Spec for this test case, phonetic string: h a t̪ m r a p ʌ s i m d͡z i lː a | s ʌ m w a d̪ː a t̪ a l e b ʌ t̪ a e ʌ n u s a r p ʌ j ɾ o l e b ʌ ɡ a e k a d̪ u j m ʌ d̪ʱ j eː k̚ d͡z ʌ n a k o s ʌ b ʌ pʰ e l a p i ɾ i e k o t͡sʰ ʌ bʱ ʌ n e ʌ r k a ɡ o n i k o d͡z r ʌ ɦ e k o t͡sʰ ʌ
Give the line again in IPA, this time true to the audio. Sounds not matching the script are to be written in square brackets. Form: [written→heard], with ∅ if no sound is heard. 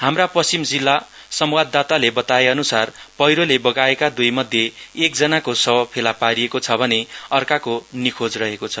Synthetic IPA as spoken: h a [t̪→∅] m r a p ʌ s i m d͡z i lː a | s ʌ m w a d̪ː a t̪ a l e b ʌ t̪ a e ʌ n u s a r p ʌ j ɾ o l e b ʌ ɡ a e k a d̪ u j m ʌ d̪ʱ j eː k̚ d͡z ʌ n a k o s ʌ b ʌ pʰ e l a p [i→a] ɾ i e k o t͡sʰ ʌ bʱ ʌ n e ʌ r k a [ɡ→k] o n i [k→kʰ] o d͡z r ʌ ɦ e k o t͡sʰ ʌ